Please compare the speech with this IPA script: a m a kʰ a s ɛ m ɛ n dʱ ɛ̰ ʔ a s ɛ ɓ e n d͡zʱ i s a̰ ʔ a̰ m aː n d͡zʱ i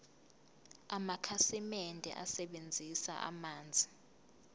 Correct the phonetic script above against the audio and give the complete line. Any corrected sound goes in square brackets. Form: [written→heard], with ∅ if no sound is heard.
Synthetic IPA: a m a kʰ a s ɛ m ɛ n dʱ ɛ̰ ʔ a s ɛ ɓ e n d͡zʱ i s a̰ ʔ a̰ m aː n d͡zʱ i